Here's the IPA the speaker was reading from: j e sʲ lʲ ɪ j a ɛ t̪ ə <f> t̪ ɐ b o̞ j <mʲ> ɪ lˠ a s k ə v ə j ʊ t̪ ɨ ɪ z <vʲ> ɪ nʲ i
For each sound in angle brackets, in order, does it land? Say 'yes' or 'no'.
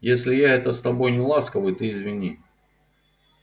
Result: no, no, yes

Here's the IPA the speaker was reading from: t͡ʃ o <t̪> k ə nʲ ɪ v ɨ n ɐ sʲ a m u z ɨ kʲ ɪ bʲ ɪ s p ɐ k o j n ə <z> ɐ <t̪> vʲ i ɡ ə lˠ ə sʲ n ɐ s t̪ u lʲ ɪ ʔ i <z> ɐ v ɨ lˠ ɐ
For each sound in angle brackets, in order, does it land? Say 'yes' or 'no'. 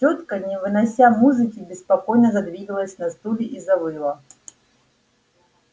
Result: yes, yes, no, yes

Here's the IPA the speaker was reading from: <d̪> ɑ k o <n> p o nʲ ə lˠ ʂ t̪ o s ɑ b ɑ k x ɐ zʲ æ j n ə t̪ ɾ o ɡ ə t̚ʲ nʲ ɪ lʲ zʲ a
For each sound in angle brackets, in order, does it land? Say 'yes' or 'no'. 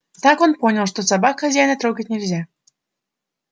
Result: no, yes

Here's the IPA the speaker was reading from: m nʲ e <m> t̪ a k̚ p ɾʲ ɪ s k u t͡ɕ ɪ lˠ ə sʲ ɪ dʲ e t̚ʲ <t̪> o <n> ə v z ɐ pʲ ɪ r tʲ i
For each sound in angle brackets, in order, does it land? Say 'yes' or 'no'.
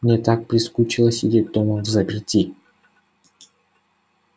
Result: no, no, no

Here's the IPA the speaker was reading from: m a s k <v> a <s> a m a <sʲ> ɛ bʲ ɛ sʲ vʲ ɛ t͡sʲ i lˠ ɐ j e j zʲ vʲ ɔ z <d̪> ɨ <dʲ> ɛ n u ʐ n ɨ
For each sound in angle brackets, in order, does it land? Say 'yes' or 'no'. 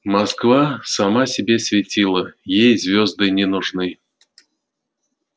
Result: yes, yes, yes, yes, no

